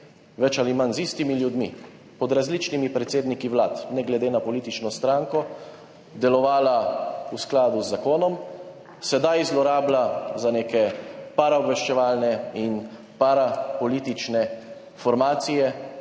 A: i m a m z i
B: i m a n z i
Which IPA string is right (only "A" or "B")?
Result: B